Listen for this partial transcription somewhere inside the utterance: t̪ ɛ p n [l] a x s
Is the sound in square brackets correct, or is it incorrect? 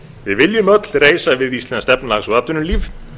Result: correct